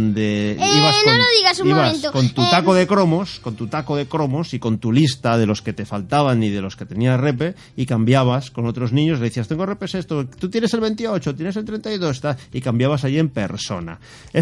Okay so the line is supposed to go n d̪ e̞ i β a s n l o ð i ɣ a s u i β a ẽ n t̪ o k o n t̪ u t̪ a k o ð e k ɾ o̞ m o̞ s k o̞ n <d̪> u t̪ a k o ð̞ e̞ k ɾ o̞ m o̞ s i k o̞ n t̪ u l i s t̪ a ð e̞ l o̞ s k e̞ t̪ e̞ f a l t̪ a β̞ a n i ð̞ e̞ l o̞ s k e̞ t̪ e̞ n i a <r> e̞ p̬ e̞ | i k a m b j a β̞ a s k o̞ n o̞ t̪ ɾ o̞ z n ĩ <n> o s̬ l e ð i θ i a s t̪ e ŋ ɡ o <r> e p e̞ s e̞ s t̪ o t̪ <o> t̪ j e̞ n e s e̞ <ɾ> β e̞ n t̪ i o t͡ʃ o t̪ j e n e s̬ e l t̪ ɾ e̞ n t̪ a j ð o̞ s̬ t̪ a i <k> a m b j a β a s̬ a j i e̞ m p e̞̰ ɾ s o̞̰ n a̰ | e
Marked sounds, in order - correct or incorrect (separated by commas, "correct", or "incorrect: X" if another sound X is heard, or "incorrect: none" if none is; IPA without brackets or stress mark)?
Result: incorrect: t̪, correct, incorrect: ɲ, correct, incorrect: u, incorrect: l, correct